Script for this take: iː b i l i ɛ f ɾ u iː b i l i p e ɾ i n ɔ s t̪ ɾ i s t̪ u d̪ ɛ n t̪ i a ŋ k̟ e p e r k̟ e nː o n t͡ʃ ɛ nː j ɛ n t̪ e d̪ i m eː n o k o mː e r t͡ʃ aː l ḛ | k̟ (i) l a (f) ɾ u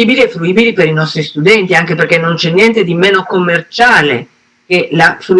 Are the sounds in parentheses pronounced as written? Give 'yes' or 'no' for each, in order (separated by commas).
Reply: no, yes